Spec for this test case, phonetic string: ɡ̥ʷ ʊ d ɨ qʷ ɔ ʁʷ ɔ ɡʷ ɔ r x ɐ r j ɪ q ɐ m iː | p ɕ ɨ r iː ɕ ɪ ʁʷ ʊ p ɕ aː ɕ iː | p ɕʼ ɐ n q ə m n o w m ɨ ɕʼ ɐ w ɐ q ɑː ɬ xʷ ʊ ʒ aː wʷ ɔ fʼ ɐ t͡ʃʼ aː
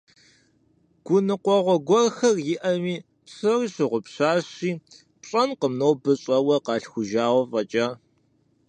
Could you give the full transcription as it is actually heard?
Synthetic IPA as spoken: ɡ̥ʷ ʊ n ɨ qʷ ɔ ʁʷ ɔ ɡʷ ɔ r x ɐ r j ɪ ʔ ɐ m iː | p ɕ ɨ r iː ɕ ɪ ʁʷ ʊ p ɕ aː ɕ iː | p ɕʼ ɐ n q ə m n o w b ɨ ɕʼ ɐ w ɐ q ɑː ɬ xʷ ʊ ʒ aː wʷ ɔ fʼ ɐ t͡ʃʼ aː